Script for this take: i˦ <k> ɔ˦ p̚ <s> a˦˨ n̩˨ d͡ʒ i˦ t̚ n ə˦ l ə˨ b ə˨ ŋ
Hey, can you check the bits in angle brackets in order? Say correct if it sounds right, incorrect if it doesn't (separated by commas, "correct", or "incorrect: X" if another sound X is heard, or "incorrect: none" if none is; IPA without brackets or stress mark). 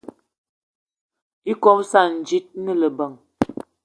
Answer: correct, correct